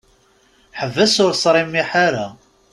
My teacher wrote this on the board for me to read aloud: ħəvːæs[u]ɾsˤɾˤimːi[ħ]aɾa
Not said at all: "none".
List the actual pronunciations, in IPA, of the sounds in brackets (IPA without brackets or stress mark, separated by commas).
ʊ, ħ